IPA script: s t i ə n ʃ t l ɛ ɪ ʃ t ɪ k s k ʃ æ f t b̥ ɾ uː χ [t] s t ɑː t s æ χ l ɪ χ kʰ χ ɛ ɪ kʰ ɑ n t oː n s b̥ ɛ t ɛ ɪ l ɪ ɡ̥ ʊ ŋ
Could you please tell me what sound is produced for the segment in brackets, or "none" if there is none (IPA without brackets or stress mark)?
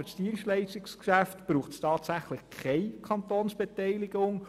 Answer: t